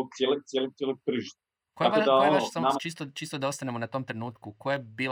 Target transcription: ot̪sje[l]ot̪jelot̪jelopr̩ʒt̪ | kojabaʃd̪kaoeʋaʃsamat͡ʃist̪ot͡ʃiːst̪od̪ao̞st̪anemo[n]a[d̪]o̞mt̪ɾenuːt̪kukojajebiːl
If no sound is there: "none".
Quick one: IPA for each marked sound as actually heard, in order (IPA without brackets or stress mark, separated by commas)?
l, n, t̪